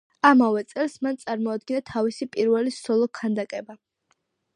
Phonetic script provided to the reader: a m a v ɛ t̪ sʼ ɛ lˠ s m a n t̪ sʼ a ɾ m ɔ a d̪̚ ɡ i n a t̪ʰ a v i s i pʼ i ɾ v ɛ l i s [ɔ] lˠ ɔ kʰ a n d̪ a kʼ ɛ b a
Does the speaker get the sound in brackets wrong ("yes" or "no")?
no